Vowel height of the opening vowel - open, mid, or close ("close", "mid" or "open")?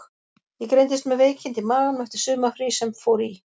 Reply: mid